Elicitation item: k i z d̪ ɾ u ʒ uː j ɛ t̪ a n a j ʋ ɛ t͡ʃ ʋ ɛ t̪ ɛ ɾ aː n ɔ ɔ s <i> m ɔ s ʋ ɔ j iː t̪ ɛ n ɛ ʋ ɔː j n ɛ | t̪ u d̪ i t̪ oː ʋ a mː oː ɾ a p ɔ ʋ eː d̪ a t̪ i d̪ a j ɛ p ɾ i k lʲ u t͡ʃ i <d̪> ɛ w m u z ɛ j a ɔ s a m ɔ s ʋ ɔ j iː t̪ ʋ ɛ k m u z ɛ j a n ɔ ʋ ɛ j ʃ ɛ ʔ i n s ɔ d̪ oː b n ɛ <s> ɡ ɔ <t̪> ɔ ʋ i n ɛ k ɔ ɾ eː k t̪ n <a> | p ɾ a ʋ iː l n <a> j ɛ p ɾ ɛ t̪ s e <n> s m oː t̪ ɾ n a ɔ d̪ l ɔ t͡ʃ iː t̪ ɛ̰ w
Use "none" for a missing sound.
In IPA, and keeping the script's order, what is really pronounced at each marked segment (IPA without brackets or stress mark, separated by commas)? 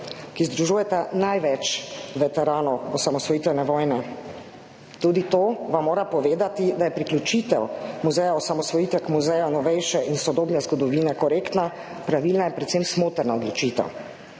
a, t̪, z, d̪, a, a, m